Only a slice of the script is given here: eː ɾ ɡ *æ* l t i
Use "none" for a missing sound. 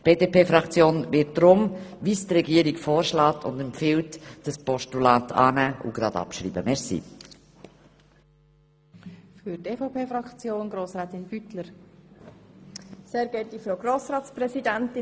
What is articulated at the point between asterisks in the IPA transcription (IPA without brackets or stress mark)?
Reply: ɛ